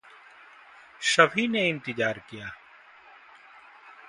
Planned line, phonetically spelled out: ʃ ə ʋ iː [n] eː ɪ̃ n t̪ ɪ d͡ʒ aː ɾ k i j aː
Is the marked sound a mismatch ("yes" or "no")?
no